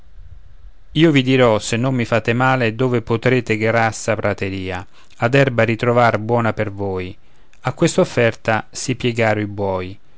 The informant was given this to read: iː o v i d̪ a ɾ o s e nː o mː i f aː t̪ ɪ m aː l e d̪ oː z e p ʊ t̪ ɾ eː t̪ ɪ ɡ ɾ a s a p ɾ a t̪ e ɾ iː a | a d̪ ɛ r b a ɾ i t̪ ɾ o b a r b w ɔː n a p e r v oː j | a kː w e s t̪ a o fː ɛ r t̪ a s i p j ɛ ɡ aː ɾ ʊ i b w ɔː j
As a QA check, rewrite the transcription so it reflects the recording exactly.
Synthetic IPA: iː o v i d̪ i ɾ ɔ s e nː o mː i f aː t̪ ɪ m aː l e d̪ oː v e p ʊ t̪ ɾ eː t̪ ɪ ɡ ɾ a s a p ɾ a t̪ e ɾ iː a | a d̪ ɛ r b a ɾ i t̪ ɾ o v a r b w ɔː n a p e r v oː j | a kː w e s t̪ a o fː ɛ r t̪ a s i p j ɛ ɡ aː ɾ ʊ i b w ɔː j